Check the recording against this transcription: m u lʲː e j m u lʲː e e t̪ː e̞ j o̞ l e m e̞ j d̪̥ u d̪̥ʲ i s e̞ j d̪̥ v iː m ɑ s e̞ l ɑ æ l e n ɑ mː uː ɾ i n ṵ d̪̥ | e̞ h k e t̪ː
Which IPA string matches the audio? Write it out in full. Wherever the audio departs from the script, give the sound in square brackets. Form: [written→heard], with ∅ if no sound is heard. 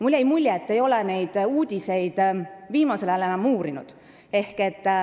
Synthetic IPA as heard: m u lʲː e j m u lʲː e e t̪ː e̞ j o̞ l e [m→n] e̞ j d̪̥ [u→uː] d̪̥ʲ i s e̞ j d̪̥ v iː m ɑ s e̞ l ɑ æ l e n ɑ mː uː ɾ i n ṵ d̪̥ | e̞ h k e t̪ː